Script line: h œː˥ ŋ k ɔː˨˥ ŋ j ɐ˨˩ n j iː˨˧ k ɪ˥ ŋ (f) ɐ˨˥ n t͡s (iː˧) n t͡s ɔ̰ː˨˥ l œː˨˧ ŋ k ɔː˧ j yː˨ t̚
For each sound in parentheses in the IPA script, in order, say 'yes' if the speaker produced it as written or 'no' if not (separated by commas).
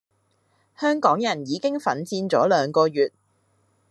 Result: yes, yes